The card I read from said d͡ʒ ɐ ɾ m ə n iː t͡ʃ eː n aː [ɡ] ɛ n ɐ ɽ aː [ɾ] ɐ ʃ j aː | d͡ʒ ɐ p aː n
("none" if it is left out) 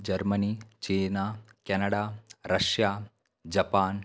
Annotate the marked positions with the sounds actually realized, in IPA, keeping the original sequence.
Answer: k, ɾ

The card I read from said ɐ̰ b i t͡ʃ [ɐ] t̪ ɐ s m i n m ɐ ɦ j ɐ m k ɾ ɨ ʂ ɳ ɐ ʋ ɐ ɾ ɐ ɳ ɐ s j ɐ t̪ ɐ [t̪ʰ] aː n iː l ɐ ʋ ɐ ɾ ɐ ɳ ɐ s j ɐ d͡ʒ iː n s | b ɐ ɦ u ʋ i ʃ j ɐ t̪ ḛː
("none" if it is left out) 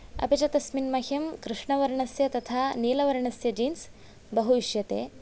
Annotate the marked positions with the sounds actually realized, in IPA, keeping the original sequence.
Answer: ɐ, t̪ʰ

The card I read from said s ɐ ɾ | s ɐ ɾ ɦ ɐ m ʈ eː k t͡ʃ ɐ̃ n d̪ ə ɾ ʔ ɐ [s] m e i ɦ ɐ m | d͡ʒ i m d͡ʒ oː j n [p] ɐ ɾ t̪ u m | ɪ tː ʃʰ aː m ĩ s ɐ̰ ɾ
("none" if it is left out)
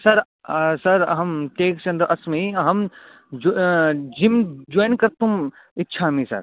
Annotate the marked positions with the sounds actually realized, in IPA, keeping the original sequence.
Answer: s, k

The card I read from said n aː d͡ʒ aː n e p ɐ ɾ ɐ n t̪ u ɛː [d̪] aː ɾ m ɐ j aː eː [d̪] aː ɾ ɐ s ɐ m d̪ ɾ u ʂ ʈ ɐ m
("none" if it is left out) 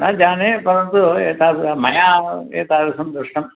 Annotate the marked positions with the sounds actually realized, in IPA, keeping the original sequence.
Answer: t̪, t̪

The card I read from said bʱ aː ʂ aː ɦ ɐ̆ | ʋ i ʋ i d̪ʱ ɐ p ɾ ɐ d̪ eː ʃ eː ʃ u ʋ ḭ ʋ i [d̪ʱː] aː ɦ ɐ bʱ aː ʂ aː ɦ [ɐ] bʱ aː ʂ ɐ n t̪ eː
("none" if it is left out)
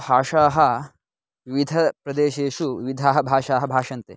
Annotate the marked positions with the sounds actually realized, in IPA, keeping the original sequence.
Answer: d̪ʱ, ɐ

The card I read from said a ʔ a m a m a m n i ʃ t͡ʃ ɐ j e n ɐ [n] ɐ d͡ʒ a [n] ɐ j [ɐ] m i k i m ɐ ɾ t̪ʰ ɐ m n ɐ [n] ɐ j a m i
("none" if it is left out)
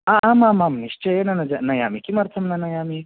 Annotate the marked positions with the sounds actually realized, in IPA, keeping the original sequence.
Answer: n, n, a, n

